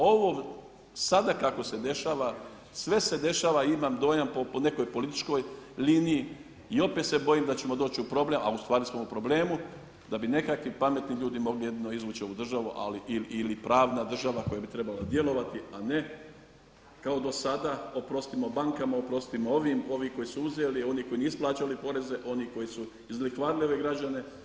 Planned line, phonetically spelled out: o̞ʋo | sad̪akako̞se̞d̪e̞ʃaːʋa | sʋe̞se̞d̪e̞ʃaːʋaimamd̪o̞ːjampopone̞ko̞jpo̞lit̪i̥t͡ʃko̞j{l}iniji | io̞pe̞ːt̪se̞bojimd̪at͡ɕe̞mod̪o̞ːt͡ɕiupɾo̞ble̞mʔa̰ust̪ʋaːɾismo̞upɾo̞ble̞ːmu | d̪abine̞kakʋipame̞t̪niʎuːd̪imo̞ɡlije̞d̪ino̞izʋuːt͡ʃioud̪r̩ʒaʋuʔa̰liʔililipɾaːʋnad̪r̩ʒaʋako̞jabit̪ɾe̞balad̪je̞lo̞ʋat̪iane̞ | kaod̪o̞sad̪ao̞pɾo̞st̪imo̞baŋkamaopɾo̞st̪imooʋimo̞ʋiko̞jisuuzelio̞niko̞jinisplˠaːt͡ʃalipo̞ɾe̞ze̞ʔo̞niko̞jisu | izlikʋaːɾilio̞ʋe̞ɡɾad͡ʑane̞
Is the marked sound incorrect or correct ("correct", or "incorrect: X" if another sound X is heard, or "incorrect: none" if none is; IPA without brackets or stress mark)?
correct